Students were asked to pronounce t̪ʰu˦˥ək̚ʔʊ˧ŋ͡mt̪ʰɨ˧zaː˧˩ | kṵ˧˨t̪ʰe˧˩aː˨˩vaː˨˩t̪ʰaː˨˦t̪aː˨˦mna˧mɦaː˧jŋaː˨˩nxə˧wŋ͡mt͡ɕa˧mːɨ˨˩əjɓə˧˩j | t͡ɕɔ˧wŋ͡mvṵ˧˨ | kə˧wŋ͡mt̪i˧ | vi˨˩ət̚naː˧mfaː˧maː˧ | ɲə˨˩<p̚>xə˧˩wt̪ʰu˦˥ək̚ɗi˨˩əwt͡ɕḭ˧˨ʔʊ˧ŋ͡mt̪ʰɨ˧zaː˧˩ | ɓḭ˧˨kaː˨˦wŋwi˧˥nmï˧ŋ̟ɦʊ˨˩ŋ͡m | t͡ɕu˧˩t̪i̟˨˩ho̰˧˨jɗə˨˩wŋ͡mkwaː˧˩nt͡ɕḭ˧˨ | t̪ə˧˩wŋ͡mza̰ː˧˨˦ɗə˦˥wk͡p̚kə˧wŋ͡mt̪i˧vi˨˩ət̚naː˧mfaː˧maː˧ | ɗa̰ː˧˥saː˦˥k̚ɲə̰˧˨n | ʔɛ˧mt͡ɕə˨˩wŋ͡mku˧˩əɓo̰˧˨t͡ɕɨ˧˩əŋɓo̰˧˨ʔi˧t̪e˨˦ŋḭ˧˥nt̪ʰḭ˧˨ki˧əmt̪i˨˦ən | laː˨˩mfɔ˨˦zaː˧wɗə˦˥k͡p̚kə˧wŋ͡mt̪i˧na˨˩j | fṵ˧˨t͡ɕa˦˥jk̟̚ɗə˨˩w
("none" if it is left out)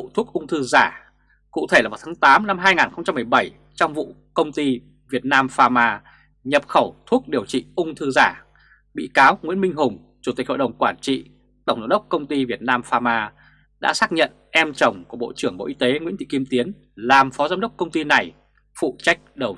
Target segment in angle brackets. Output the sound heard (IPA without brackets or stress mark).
p̚